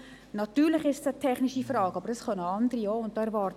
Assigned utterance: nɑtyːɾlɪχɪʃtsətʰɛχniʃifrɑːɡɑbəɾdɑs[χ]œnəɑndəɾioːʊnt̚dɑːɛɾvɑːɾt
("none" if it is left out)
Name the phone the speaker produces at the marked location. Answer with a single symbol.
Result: χ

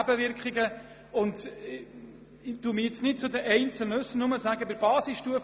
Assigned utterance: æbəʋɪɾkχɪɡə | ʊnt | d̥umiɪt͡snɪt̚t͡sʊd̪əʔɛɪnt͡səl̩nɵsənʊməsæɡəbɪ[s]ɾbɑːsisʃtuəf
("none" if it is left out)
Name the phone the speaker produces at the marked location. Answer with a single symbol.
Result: none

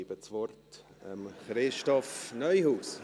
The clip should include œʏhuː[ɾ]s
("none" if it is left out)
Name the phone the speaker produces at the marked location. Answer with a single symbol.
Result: none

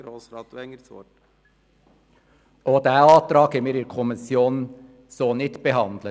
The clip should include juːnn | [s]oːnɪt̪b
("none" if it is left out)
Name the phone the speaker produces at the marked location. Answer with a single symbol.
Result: s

